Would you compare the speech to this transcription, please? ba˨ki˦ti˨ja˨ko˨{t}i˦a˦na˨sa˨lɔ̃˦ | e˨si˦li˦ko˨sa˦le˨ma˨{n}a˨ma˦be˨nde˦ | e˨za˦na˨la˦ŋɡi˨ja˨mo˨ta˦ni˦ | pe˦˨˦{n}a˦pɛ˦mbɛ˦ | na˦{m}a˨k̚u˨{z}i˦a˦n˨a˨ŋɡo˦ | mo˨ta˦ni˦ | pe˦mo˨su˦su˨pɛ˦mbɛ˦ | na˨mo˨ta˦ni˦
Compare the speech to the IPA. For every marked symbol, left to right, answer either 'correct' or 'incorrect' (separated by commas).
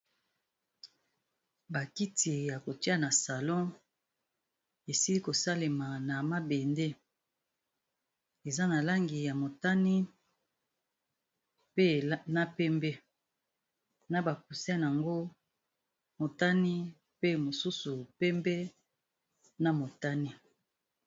correct, correct, correct, incorrect, incorrect